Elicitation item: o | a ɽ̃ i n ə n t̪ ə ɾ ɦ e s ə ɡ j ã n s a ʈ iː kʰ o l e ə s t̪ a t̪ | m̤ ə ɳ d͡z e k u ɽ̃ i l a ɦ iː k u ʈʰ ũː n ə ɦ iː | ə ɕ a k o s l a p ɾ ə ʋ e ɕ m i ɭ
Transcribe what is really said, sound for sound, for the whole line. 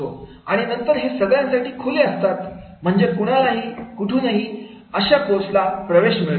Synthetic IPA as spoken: o | a ɽ̃ i n ə n t̪ ə ɾ ɦ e s ə ɡ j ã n s a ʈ iː kʰ o l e ə s t̪ a t̪ | m̤ ə ɳ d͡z e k u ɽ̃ a l a ɦ iː k u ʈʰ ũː n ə ɦ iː | ə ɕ a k o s l a p ɾ ə ʋ e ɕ m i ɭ